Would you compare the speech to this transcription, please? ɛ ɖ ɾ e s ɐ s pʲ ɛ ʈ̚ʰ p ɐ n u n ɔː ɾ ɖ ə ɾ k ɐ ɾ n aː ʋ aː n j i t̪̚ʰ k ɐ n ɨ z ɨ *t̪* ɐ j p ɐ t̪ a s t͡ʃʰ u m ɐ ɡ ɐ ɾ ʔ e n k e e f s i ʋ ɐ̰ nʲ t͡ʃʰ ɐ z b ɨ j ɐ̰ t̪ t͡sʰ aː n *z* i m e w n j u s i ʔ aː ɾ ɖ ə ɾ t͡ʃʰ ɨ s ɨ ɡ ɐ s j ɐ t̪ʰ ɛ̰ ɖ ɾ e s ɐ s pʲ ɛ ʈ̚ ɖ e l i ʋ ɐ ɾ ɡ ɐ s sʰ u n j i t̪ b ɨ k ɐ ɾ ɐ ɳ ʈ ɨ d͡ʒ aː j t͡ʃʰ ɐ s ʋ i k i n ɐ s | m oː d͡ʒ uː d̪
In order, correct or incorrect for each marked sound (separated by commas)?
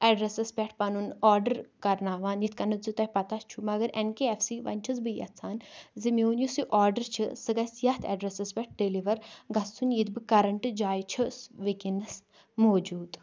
correct, correct